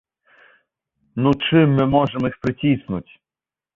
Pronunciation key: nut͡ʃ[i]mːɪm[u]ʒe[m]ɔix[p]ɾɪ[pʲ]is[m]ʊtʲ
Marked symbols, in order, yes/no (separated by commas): no, no, yes, yes, no, no